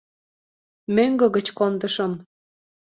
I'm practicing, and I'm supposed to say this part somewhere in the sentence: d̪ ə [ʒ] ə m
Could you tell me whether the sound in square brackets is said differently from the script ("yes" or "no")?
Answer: yes